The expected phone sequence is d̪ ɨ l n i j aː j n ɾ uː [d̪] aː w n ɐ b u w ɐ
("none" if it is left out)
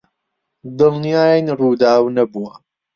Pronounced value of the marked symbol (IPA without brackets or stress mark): d̪